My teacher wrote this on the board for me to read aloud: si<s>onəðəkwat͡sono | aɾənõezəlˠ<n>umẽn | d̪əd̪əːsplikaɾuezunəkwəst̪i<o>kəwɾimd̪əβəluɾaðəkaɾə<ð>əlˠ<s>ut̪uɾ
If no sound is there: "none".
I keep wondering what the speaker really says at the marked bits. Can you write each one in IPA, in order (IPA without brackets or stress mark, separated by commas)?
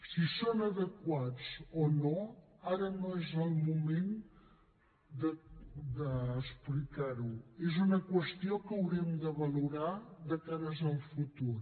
s, m, o, z, f